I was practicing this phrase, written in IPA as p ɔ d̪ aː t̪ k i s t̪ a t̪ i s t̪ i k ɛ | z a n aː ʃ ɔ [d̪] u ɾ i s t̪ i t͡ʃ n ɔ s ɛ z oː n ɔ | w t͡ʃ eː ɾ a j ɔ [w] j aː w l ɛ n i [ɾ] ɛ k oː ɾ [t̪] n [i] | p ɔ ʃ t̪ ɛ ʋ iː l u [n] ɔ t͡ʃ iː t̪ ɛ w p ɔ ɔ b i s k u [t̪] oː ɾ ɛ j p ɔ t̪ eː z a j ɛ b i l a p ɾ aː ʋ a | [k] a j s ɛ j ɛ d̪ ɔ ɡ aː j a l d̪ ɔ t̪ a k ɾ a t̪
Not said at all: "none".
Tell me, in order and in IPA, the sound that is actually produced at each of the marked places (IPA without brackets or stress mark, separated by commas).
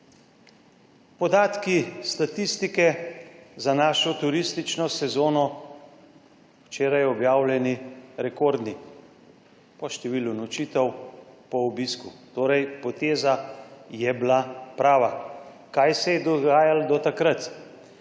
t̪, b, ɾ, d̪, i, n, t̪, k